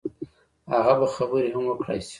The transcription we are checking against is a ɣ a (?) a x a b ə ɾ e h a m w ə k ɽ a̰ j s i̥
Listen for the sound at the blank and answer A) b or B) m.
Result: A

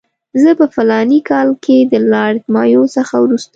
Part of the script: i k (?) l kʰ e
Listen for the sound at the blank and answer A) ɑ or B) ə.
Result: A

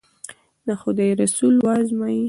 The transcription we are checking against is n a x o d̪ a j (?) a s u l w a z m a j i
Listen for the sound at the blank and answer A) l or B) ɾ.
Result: B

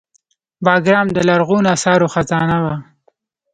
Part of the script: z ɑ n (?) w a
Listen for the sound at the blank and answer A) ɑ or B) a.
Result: B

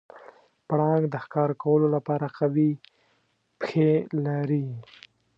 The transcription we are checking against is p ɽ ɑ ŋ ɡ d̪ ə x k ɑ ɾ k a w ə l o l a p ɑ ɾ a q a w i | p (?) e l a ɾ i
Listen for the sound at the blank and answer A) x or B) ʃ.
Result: A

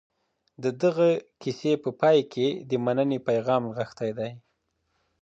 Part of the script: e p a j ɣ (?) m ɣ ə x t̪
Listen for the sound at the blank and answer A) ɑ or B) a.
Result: A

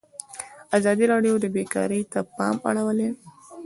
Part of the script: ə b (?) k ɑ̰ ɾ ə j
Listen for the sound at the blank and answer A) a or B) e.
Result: B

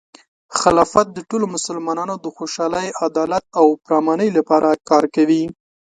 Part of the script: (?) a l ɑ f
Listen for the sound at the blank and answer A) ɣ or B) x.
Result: B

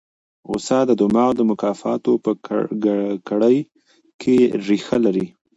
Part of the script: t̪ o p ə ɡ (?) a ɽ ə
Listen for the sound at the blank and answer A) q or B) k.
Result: B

